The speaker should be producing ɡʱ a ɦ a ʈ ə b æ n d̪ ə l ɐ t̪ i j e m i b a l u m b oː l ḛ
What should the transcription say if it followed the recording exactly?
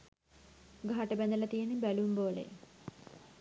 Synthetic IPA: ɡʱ a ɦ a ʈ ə b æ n d̪ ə l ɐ t̪ i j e n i b æ l u m b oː l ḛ